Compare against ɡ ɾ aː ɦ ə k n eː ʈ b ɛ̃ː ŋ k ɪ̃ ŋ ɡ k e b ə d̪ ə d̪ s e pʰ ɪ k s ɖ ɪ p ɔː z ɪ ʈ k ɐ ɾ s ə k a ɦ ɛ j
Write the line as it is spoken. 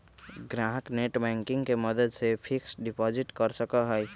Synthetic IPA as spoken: ɡ ɾ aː ɦ ə k n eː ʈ b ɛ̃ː ŋ k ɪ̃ ŋ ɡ k e m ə d̪ ə d̪ s e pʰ ɪ k s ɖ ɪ p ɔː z ɪ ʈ k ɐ ɾ s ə k a ɦ ɛ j